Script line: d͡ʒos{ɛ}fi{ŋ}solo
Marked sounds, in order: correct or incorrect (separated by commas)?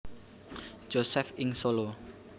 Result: correct, correct